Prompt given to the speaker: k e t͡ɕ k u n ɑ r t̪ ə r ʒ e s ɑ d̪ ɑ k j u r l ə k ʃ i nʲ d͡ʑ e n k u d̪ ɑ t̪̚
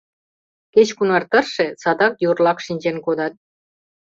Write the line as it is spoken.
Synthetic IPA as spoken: k e t͡ɕ k u n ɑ r t̪ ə r ʃ e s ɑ d̪ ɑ k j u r l ɑ k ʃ i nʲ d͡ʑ e n k o d̪ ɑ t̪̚